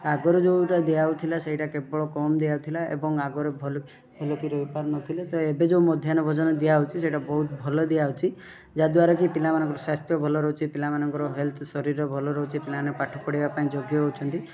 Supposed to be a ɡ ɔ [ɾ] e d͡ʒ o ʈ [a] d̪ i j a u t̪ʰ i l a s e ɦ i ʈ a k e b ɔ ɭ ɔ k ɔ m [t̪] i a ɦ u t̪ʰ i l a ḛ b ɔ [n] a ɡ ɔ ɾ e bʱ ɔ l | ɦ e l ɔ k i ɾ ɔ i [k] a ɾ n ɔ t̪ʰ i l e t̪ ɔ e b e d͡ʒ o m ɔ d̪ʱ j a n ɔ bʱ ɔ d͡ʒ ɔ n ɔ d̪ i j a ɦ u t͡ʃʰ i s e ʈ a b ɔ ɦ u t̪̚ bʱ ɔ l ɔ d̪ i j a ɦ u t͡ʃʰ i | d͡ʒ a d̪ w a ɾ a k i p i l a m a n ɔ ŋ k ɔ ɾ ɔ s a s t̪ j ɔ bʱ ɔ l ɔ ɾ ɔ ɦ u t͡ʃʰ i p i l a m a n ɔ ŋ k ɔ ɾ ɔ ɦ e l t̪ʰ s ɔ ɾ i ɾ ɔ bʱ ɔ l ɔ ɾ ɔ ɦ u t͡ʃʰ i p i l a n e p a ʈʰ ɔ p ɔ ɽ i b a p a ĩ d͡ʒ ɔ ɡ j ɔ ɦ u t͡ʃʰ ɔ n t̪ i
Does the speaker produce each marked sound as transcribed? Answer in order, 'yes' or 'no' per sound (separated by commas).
yes, yes, no, no, no